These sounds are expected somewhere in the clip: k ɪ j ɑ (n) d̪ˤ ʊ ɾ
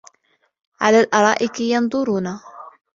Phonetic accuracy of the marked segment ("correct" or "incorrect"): correct